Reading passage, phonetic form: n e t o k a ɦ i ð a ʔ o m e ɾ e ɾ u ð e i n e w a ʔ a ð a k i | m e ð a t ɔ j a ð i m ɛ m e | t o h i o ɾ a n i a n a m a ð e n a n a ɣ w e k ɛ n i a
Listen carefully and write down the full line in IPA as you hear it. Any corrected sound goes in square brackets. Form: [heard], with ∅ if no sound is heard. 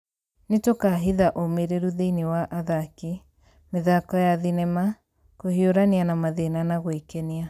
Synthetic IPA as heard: n e t o k a ɦ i ð a ʔ o m e ɾ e ɾ u ð e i n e w a ʔ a ð a k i | m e ð a [k] ɔ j a ð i [n] ɛ m [a] | [k] o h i o ɾ a n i a n a m a ð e n a n a ɣ w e k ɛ n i a